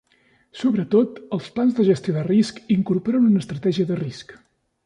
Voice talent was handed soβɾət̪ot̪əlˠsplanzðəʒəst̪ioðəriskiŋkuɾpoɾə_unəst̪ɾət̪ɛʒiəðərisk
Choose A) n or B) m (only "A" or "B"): A